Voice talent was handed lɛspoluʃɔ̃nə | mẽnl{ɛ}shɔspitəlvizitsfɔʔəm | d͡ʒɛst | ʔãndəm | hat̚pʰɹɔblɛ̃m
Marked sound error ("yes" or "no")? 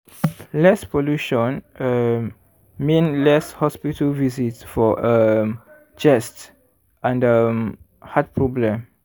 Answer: no